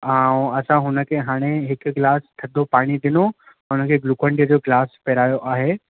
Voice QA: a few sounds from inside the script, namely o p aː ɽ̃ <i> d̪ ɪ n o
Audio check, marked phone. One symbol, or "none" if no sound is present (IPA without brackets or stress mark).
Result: i